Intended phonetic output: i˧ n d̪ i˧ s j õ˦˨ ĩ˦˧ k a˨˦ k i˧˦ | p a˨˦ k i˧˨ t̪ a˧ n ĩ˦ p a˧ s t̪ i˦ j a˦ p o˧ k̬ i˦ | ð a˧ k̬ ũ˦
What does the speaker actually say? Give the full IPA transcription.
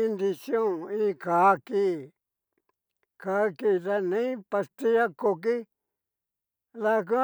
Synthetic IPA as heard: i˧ n d̪ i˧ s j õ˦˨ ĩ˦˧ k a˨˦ k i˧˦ | k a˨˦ k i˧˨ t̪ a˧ n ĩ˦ p a˧ s t̪ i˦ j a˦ k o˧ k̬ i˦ | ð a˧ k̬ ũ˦